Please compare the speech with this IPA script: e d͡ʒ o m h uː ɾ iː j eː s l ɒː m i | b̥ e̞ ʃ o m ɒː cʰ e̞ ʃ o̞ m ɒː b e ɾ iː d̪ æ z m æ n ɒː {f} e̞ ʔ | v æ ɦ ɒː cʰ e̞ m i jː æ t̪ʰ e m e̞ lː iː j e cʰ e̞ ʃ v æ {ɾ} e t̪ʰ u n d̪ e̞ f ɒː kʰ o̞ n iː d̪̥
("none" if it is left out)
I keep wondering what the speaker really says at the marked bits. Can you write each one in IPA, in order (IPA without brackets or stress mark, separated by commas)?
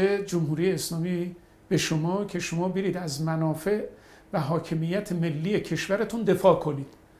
f, ɾ